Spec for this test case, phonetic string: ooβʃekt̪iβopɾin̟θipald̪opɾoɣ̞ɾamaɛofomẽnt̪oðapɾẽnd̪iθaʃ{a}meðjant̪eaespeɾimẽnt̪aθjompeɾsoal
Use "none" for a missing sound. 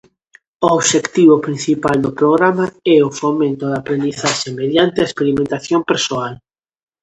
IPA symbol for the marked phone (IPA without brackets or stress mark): e